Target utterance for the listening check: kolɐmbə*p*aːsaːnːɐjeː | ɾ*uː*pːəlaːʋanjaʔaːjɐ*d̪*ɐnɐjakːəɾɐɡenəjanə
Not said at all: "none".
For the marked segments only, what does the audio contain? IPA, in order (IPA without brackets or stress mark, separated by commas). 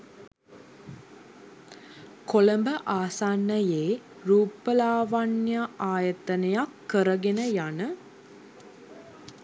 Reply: ʔ, uː, t̪